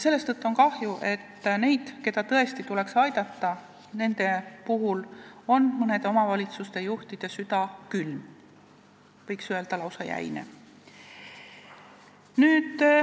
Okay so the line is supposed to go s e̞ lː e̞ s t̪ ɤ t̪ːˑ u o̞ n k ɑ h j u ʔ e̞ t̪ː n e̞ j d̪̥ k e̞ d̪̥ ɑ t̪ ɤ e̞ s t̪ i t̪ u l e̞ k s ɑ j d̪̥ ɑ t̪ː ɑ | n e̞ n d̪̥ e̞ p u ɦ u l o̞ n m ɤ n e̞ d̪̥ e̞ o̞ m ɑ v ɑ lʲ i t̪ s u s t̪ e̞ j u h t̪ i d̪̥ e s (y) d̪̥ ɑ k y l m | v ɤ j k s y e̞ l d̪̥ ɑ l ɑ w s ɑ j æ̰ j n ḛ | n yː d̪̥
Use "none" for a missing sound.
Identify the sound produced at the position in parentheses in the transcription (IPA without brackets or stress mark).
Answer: y